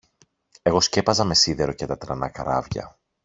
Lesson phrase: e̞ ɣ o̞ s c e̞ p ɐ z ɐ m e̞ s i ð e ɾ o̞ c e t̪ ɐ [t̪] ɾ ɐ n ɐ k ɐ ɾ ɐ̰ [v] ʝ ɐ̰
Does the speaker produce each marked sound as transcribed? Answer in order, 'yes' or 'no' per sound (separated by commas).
yes, yes